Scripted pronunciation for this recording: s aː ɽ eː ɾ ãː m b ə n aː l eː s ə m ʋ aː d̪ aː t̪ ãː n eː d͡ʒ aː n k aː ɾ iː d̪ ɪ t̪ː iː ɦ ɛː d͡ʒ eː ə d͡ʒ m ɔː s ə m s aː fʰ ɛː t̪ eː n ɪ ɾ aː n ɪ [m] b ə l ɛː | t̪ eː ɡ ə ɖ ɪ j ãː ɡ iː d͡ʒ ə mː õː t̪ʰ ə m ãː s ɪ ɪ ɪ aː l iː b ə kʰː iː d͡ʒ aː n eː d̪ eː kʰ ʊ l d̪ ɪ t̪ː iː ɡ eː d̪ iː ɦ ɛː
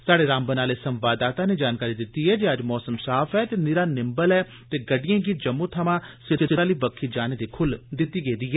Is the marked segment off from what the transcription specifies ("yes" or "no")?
no